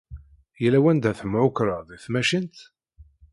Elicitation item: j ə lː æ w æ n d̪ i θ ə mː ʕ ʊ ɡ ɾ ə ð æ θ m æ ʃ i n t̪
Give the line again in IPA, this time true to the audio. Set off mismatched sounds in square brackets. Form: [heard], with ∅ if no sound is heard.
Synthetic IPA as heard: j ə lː æ w æ n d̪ [æ] θ ə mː ʕ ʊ [k] ɾ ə ð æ θ m æ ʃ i n t̪